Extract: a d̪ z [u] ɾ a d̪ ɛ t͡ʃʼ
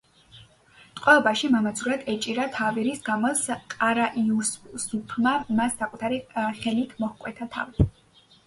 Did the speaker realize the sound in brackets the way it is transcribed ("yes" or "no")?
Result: yes